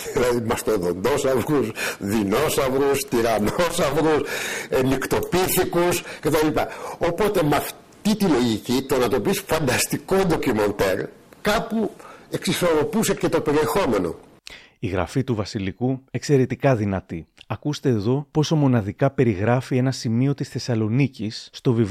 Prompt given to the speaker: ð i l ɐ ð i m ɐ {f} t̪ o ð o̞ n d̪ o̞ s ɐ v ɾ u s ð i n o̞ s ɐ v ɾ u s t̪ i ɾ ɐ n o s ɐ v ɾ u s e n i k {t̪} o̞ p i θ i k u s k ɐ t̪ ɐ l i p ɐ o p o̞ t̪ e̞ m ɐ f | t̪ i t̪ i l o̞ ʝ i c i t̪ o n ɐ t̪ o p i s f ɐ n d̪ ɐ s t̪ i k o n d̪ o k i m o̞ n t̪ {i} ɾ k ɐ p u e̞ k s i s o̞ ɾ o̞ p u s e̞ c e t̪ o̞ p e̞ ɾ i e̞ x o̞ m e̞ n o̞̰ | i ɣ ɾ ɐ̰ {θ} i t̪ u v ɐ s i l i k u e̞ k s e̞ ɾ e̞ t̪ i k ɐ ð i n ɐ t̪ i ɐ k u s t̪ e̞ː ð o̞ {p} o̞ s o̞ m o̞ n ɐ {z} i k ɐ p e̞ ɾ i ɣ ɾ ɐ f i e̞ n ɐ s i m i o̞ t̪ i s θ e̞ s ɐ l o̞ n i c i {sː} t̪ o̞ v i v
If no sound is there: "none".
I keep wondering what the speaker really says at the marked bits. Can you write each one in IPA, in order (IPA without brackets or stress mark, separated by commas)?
s, t̪, e, f, p, ð, sː